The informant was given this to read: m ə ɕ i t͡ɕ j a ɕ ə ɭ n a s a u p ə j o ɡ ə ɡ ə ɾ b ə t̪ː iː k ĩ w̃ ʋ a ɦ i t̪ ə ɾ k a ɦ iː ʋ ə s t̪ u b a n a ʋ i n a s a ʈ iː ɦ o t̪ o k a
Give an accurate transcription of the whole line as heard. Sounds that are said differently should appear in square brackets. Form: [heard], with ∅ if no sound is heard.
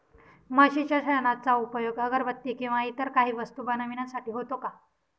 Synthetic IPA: m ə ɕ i t͡ɕ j a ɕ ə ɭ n a [t͡s] a u p ə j o ɡ ə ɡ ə ɾ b ə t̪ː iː k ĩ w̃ ʋ a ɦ i t̪ ə ɾ k a ɦ iː ʋ ə s t̪ u b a n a ʋ i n a s a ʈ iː ɦ o t̪ o k a